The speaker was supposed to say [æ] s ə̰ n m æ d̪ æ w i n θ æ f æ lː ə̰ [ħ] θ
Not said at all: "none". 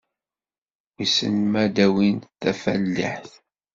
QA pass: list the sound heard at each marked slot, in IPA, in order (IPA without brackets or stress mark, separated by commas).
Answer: i, ħ